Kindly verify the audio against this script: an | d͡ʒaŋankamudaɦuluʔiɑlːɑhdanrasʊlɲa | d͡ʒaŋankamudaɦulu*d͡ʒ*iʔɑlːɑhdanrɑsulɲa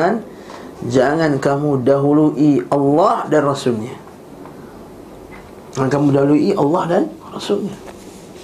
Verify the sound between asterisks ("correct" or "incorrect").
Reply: incorrect